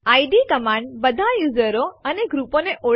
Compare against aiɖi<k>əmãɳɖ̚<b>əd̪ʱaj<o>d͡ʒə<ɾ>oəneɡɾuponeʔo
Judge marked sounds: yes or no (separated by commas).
yes, yes, no, yes